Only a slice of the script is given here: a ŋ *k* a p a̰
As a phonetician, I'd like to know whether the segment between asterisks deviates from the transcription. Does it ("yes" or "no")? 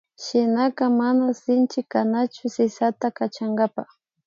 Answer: yes